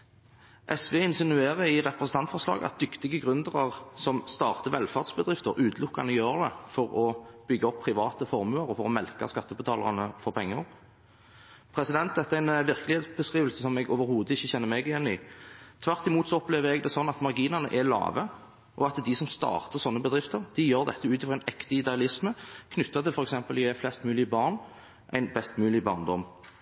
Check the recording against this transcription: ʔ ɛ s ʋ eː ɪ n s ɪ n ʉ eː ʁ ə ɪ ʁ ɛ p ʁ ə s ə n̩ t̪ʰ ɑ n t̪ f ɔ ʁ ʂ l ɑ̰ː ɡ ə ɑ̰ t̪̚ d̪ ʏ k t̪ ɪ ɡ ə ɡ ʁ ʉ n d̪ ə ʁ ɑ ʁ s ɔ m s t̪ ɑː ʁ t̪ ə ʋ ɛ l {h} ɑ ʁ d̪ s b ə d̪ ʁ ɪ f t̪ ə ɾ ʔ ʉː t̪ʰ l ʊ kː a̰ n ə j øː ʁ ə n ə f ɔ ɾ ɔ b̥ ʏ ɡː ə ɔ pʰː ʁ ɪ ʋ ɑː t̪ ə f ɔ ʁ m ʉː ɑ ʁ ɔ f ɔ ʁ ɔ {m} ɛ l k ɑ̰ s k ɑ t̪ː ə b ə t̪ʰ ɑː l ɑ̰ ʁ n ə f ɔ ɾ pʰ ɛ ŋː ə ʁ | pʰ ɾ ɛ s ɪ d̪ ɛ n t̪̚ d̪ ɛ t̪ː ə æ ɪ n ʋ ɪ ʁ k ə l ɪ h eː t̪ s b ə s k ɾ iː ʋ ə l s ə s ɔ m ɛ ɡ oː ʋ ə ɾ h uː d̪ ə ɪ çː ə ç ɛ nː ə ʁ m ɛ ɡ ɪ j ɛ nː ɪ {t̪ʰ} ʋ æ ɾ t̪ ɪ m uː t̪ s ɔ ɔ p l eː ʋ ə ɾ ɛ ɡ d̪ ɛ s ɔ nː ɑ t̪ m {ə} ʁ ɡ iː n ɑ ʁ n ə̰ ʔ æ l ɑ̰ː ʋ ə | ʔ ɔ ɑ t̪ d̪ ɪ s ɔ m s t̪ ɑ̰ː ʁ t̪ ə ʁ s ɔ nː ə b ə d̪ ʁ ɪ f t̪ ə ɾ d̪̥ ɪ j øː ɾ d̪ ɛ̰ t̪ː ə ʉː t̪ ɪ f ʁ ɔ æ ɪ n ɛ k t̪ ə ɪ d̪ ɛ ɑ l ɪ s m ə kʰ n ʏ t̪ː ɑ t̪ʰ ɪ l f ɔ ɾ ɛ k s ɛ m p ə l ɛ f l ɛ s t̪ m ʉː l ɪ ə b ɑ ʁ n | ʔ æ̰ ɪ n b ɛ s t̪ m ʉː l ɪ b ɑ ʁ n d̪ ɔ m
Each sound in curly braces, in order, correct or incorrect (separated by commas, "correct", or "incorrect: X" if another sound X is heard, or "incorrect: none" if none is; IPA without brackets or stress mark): incorrect: f, correct, correct, incorrect: ɑ